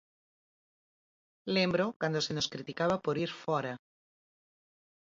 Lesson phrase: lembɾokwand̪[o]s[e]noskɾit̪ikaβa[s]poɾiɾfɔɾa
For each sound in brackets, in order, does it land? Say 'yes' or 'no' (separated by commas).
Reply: yes, yes, no